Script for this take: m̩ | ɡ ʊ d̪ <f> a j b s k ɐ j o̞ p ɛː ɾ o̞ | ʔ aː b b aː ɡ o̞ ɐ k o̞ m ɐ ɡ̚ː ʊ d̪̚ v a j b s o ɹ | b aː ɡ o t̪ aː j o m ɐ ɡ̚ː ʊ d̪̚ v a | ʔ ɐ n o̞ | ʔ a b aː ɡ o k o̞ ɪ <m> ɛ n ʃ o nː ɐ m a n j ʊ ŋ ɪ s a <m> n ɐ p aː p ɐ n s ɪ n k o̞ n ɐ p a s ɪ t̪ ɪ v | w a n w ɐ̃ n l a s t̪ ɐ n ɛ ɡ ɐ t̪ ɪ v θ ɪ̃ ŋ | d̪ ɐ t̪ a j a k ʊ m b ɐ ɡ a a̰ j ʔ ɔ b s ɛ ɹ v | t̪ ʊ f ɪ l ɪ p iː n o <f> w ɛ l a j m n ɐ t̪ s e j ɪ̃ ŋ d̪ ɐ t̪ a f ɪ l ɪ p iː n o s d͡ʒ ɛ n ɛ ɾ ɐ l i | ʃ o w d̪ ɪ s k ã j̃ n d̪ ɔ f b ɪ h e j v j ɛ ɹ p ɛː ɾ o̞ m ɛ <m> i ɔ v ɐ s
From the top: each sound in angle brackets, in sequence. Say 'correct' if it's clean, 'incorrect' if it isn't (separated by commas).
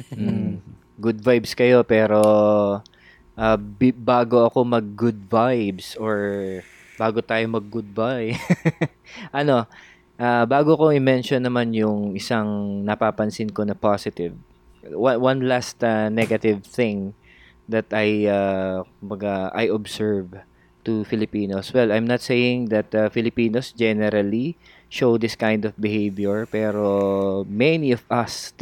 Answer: incorrect, correct, incorrect, incorrect, incorrect